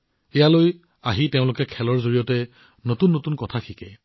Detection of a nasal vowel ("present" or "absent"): present